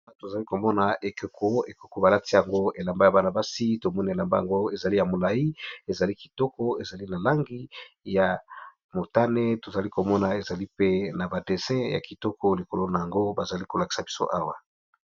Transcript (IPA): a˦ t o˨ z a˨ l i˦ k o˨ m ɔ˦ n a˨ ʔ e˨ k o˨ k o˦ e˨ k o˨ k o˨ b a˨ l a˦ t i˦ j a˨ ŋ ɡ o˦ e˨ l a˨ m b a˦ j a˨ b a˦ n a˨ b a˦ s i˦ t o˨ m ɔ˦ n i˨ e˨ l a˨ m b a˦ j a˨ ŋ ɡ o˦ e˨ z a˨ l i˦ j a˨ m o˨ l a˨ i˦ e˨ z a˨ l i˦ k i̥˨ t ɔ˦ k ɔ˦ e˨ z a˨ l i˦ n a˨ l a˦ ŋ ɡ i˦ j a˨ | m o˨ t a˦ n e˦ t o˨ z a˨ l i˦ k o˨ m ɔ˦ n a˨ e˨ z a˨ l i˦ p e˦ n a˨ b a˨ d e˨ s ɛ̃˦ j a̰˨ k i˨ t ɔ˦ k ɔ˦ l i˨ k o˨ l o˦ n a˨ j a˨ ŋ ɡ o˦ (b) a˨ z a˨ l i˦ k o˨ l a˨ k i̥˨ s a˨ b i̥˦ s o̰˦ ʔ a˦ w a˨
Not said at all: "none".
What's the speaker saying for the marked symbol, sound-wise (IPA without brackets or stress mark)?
b